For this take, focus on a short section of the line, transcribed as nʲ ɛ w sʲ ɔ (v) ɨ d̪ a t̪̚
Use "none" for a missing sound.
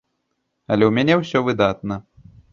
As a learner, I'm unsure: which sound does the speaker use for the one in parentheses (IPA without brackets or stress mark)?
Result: v